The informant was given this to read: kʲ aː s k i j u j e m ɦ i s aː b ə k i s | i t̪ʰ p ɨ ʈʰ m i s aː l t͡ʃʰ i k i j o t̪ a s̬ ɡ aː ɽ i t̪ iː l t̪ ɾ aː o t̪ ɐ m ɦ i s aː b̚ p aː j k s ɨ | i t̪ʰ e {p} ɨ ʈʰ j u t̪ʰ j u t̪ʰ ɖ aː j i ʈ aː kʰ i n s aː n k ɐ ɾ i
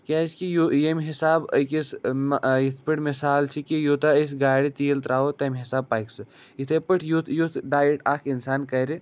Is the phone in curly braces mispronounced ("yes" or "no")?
no